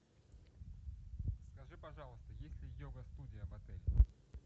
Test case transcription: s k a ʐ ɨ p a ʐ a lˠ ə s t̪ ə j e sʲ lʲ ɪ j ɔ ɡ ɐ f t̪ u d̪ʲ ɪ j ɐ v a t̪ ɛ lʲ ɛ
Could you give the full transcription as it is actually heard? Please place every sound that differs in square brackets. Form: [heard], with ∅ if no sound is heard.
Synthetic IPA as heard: s k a ʐ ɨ p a ʐ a lˠ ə s t̪ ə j e sʲ lʲ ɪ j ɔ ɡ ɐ [s] t̪ u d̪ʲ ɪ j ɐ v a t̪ ɛ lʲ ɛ